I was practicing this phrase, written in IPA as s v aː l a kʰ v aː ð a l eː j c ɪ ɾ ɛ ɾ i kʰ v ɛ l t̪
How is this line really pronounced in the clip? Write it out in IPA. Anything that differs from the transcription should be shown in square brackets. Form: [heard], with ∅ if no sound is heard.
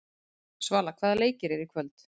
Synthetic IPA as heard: s v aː l a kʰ v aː ð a l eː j c ɪ ɾ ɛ ɾ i kʰ v [œ] l t̪